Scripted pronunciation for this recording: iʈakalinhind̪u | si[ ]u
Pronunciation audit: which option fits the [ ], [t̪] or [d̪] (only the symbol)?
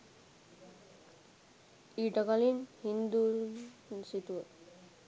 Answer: t̪